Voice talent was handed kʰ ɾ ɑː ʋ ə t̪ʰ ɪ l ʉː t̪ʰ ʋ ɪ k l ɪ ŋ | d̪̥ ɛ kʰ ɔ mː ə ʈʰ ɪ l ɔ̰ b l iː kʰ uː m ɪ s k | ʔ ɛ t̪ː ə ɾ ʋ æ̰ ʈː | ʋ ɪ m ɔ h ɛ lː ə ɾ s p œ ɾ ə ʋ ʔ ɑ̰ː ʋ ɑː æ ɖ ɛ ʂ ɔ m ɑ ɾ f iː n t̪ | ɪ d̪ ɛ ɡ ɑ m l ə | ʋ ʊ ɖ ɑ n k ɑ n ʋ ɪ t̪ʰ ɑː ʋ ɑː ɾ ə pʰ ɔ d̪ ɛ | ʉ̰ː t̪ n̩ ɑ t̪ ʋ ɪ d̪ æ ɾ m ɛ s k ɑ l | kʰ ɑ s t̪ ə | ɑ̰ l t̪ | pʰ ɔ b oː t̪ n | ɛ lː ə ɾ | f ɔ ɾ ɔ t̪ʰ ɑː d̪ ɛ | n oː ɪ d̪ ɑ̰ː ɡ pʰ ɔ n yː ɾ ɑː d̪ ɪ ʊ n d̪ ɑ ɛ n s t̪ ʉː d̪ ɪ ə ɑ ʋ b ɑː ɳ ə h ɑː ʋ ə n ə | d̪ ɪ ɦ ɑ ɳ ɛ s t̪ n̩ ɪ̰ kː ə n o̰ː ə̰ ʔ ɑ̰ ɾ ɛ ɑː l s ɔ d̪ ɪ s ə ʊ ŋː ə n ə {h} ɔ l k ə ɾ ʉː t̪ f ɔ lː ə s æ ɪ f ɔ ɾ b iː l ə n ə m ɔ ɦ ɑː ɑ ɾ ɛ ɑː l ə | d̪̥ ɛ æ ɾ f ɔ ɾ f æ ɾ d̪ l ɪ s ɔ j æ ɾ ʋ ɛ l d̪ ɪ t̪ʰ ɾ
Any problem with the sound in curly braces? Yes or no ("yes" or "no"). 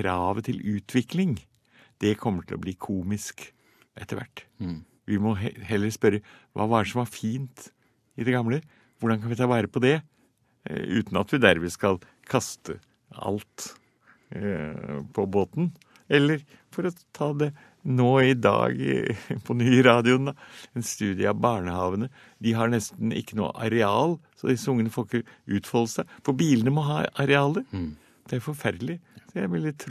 yes